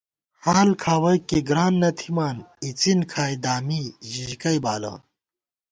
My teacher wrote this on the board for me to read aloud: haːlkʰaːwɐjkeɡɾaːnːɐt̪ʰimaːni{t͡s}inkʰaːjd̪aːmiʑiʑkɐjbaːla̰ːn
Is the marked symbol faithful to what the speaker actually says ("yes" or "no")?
yes